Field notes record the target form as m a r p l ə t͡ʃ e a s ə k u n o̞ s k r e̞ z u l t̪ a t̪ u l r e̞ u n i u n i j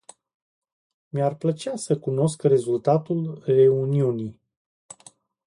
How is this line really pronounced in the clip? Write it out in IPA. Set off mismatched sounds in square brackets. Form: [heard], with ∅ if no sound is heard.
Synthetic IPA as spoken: m a r p l ə t͡ʃ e a s ə k u n o̞ s k r e̞ z u l t̪ a t̪ u l r e̞ u n i u n i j